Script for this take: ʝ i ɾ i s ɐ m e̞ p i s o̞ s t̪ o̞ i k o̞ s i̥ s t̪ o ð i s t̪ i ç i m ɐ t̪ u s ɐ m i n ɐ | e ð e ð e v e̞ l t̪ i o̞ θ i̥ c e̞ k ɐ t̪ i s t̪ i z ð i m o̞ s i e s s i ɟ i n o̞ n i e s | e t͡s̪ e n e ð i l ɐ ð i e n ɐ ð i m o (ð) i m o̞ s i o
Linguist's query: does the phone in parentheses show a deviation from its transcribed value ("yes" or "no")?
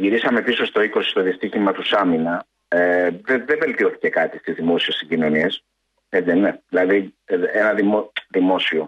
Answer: no